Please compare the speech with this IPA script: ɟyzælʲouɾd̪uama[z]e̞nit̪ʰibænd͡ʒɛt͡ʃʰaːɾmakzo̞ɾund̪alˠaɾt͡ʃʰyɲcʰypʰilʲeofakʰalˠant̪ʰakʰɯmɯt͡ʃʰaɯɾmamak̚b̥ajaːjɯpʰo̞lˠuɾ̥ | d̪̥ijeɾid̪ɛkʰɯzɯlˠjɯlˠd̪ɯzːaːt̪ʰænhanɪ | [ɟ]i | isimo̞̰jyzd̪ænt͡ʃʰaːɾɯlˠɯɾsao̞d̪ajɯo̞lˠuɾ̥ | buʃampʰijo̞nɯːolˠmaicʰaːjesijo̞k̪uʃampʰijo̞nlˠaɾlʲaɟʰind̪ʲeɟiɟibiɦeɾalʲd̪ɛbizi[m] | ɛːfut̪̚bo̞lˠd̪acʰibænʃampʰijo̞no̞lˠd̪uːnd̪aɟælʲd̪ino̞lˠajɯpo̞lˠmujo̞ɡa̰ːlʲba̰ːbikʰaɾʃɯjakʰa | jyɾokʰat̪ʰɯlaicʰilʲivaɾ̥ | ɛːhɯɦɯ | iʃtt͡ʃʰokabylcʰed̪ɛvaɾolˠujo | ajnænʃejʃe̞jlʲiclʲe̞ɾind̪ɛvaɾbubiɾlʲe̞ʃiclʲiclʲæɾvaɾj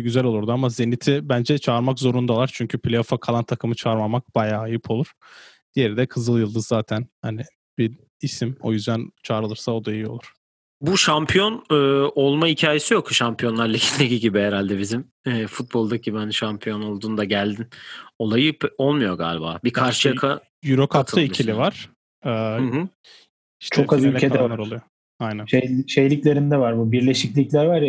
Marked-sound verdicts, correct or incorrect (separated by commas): correct, incorrect, correct